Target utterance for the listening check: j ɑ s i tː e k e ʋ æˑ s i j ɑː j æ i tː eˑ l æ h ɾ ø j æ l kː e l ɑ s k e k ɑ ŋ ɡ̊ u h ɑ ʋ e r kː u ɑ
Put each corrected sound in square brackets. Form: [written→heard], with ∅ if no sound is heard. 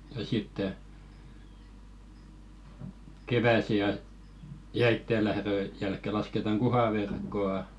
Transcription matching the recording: j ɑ s i tː e k e ʋ æˑ s i j [ɑː→ɑ] j æ i tː eˑ l æ h ɾ ø j æ l kː e l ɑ s k e [k→t] ɑ ŋ ɡ̊ u h ɑ ʋ e r kː [u→o] ɑ